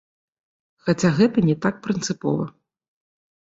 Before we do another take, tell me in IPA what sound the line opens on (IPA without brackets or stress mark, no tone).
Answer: x